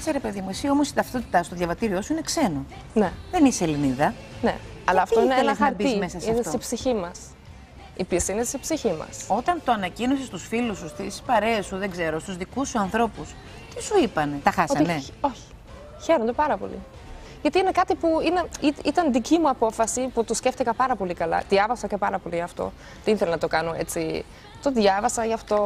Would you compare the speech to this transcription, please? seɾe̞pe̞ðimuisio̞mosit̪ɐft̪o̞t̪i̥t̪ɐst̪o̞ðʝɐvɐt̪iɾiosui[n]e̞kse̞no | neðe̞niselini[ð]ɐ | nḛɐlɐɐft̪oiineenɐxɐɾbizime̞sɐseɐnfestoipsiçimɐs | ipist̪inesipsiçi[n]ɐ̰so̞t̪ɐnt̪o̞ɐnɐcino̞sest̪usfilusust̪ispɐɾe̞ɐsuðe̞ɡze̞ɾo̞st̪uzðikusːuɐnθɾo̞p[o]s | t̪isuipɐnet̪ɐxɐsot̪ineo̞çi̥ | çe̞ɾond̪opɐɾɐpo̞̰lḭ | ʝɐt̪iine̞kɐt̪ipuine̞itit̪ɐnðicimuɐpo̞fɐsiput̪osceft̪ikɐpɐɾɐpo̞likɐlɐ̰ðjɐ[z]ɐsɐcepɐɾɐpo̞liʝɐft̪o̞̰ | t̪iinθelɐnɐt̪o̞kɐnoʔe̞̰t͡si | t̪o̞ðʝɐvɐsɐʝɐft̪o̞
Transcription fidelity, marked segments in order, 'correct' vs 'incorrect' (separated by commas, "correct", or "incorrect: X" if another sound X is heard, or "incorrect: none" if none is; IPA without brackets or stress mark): correct, correct, incorrect: m, incorrect: u, incorrect: v